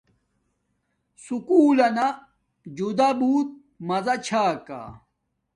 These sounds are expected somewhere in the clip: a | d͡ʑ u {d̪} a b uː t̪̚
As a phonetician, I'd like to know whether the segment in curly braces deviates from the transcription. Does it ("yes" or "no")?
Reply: no